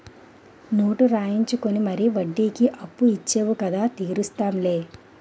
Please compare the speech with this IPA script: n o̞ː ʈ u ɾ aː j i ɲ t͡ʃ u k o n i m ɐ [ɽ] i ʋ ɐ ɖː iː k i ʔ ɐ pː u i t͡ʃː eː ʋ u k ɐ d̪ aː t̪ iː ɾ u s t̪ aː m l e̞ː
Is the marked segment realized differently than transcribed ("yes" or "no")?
yes